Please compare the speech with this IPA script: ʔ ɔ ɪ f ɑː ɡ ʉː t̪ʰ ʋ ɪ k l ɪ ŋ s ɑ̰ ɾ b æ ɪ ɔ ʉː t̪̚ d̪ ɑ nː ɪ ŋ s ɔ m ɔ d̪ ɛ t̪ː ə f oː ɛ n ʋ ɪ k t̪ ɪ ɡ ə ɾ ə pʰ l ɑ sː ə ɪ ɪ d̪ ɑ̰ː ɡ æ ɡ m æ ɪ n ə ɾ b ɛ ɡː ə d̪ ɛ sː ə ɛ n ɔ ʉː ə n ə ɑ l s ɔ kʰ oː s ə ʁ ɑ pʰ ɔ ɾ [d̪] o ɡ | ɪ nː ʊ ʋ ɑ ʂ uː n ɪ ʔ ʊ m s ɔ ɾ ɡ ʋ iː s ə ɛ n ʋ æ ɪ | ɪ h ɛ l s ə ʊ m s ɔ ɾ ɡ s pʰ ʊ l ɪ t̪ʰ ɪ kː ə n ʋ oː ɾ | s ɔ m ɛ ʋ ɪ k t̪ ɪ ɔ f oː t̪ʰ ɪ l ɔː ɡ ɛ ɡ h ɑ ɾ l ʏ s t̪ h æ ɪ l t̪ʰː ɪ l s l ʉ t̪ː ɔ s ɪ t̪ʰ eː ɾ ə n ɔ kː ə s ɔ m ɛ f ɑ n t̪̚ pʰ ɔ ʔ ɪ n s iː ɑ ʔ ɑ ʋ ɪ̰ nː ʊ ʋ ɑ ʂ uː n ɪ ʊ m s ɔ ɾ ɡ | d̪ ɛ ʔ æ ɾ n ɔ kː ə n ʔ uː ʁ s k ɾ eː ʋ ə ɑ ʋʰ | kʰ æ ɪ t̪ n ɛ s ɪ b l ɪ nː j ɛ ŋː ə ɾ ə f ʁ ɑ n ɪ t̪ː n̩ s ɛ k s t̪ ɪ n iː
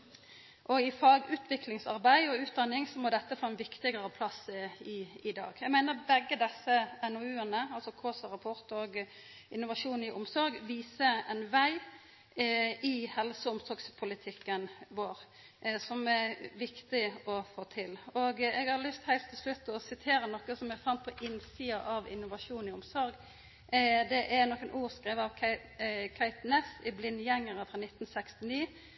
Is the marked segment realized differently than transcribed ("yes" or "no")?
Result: yes